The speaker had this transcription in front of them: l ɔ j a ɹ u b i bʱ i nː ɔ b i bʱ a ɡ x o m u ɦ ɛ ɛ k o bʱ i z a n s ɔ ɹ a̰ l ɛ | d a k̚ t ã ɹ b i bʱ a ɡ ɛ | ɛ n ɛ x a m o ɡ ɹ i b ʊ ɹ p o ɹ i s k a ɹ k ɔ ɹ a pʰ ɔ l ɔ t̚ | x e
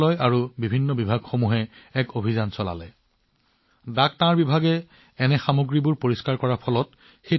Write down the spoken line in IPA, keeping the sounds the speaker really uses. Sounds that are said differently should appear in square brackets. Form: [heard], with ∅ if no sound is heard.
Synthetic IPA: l ɔ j a ɹ u b i bʱ i nː ɔ b i bʱ a ɡ x o m u ɦ ɛ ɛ k o bʱ i z a n s ɔ [l] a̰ l ɛ | d a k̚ t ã ɹ b i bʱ a ɡ ɛ | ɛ n ɛ x a m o ɡ ɹ i b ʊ ɹ p o ɹ i s k a ɹ k ɔ ɹ a pʰ ɔ l ɔ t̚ | x e